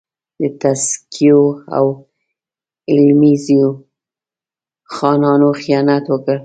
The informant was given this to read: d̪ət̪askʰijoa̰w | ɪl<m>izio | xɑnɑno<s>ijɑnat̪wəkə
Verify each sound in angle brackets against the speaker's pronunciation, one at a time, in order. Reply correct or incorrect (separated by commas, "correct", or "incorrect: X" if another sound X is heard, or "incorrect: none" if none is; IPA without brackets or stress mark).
correct, incorrect: x